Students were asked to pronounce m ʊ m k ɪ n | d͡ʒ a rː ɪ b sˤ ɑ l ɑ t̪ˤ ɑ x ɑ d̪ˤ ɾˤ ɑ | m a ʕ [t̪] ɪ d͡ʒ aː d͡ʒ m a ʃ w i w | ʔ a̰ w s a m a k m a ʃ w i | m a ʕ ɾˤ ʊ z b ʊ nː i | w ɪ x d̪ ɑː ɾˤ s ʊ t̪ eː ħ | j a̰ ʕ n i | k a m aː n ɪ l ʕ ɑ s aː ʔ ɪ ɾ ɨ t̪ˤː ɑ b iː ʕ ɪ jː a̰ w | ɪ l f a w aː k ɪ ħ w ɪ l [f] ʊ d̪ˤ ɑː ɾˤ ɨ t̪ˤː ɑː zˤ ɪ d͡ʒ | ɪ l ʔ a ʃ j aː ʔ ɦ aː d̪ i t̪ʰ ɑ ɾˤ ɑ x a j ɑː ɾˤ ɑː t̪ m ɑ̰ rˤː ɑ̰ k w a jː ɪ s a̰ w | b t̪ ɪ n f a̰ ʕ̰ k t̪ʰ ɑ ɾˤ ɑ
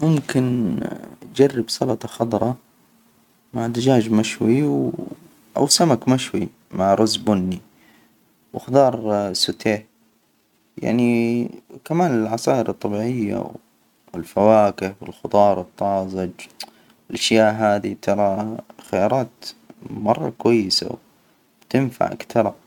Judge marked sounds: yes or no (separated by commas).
no, no